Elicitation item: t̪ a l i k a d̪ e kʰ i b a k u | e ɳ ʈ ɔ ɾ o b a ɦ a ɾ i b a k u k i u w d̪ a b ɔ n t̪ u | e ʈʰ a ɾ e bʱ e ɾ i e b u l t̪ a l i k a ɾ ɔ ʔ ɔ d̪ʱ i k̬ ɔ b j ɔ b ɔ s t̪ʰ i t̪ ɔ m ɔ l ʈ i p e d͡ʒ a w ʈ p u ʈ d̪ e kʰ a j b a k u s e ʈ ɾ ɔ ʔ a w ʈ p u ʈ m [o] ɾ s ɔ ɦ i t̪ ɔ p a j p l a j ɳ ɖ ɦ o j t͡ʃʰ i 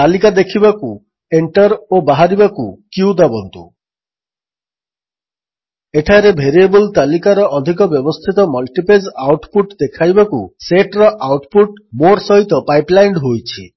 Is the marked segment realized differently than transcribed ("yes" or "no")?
no